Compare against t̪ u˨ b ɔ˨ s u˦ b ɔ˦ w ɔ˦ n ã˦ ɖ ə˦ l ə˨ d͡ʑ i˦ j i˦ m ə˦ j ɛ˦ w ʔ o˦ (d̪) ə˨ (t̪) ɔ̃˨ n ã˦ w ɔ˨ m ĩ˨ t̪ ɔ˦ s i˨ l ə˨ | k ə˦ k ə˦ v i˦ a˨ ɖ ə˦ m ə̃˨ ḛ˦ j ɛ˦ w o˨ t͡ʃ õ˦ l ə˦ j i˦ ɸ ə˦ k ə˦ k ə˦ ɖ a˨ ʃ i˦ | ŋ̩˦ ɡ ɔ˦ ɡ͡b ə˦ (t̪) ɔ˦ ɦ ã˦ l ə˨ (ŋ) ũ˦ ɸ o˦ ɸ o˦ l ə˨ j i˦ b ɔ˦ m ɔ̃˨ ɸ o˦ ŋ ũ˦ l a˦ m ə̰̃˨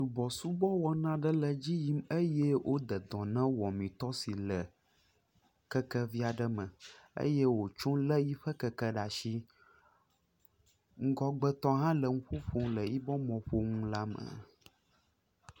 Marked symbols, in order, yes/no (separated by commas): yes, no, yes, yes